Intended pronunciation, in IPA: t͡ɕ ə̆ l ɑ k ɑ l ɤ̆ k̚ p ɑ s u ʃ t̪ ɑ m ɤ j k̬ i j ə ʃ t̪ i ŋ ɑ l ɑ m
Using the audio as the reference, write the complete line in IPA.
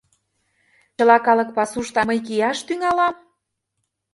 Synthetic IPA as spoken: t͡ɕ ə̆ l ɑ k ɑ l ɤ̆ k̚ p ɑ s u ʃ t̪ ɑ m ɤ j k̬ i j ɑ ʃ t̪ y ŋ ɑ l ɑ m